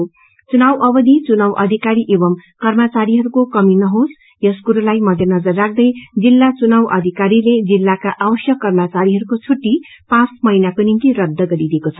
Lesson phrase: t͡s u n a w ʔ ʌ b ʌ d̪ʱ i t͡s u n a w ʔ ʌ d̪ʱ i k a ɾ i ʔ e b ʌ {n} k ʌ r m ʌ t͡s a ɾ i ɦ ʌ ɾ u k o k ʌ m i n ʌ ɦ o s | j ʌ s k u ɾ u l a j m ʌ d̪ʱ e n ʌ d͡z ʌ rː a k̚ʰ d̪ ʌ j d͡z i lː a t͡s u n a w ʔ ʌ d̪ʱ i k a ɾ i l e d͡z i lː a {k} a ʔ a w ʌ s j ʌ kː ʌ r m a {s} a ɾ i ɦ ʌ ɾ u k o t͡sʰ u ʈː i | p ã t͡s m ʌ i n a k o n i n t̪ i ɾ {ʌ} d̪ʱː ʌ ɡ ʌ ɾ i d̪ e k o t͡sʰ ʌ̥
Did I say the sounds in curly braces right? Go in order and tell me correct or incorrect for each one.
incorrect, correct, incorrect, correct

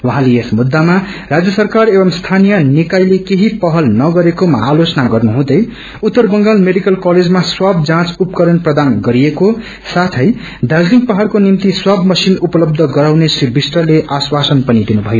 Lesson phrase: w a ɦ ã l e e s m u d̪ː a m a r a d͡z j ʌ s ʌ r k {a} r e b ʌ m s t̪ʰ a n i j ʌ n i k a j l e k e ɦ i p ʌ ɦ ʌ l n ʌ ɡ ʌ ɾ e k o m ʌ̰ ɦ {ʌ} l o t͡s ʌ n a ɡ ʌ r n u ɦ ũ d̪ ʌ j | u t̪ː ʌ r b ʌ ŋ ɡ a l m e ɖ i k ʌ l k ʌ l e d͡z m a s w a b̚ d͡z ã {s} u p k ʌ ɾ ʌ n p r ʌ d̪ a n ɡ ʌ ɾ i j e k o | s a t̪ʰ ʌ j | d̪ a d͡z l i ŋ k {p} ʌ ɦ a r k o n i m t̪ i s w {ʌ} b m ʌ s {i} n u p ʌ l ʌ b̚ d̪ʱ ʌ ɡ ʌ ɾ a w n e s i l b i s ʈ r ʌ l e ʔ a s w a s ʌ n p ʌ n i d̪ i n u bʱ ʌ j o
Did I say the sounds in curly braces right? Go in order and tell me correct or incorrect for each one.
correct, incorrect, incorrect, correct, incorrect, correct

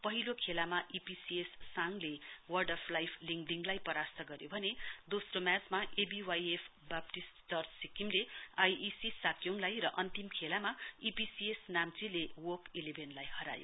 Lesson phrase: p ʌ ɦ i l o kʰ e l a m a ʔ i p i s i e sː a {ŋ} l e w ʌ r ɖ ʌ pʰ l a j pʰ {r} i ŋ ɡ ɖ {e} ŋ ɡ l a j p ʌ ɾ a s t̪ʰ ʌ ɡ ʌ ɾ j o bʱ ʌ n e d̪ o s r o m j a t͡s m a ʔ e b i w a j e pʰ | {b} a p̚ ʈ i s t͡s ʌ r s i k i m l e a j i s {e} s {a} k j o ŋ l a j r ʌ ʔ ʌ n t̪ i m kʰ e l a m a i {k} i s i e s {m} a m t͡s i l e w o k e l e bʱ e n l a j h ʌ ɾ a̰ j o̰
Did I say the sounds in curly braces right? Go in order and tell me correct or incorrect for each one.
correct, incorrect, incorrect, correct, incorrect, correct, incorrect, incorrect

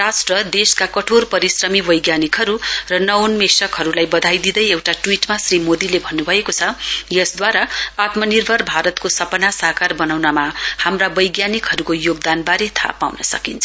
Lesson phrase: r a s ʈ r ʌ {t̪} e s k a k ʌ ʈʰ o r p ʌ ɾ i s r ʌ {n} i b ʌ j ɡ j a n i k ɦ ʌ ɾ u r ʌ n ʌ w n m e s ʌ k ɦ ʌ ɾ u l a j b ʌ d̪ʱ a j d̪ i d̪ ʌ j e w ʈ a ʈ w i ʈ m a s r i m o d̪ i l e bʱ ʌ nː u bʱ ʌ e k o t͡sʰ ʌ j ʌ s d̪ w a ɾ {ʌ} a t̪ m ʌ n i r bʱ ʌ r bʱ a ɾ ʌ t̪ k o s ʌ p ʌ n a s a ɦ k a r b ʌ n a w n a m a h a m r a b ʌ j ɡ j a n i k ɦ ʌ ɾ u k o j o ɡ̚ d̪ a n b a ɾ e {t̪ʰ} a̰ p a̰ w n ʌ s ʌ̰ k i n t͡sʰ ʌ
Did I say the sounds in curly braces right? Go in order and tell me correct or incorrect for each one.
incorrect, incorrect, incorrect, correct

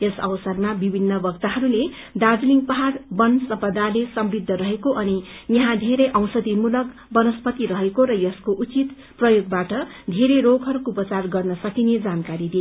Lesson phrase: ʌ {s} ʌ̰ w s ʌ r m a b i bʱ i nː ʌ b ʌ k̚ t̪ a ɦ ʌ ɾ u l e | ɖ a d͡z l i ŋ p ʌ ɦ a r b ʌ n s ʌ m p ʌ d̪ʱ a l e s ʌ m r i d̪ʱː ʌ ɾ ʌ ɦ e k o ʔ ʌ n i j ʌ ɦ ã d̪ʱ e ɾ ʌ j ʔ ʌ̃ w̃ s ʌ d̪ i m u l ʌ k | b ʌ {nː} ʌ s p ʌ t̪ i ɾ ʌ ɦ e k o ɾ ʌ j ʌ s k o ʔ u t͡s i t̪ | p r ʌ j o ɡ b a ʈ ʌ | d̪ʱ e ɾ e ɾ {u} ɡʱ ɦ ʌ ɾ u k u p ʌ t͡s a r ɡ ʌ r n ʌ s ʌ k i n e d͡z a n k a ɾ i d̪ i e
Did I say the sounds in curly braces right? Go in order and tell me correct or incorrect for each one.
correct, incorrect, incorrect

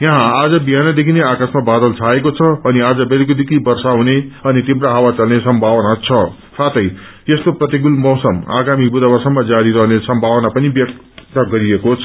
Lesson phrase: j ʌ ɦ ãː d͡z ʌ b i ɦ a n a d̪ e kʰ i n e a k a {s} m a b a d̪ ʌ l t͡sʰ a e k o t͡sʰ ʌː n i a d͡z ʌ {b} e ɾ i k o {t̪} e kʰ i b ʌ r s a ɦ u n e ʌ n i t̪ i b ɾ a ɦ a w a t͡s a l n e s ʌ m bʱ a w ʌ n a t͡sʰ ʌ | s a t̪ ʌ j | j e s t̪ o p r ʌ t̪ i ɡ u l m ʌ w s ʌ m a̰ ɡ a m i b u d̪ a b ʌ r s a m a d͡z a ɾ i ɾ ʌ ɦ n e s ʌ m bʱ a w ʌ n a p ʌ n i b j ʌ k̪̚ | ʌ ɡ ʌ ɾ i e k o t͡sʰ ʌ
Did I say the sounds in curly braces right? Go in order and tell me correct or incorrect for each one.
correct, correct, incorrect

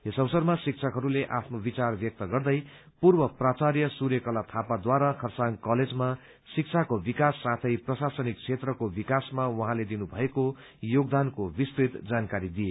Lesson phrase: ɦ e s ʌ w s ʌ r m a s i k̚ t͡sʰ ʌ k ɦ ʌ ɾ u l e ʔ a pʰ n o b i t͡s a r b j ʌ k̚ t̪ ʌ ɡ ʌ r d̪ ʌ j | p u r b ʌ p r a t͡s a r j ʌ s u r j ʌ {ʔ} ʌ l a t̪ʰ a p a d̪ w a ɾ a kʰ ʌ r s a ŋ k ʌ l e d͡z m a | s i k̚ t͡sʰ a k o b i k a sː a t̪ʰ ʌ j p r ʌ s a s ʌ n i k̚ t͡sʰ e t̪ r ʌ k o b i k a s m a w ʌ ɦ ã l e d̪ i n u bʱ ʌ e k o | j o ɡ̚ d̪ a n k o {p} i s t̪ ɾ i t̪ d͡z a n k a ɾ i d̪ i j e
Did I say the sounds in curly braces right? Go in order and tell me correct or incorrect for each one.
incorrect, incorrect

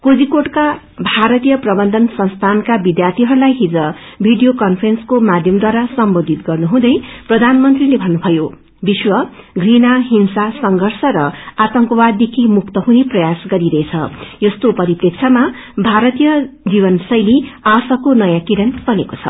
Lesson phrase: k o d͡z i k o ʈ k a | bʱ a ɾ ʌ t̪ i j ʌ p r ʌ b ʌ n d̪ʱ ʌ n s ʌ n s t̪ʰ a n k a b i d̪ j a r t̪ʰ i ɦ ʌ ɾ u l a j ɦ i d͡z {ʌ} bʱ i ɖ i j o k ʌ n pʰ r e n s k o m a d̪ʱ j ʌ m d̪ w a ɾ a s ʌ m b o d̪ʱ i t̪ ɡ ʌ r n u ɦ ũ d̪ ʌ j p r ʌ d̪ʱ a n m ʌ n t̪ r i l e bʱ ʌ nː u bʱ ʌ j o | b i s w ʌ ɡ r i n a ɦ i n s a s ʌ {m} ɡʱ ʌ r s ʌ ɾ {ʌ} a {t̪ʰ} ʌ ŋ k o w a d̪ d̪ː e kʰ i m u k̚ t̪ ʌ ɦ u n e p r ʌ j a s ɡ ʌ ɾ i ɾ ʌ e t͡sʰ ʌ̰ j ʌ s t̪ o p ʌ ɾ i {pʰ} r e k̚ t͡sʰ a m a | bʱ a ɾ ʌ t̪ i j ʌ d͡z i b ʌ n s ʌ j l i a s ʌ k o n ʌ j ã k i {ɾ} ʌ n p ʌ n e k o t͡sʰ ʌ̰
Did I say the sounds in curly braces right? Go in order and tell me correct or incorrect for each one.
correct, incorrect, correct, incorrect, incorrect, correct

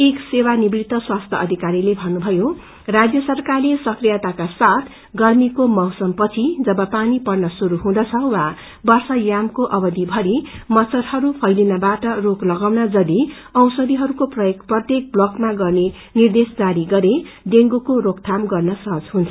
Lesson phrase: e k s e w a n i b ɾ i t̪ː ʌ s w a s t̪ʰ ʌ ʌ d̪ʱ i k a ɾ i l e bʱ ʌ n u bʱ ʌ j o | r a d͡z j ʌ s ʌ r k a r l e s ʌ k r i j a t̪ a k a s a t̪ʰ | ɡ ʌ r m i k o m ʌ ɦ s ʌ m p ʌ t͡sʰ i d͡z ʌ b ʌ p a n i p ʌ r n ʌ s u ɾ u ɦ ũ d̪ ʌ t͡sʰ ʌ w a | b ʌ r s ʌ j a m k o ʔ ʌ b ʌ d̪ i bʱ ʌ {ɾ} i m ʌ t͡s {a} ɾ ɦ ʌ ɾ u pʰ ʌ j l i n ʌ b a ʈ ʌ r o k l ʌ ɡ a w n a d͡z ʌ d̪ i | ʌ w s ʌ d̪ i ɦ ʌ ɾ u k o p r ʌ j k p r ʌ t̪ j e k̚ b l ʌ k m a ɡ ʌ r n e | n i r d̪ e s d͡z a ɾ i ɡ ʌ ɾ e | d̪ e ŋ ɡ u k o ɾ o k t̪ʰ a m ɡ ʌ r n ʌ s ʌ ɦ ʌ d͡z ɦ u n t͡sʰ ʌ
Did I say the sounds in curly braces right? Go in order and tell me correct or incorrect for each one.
correct, incorrect

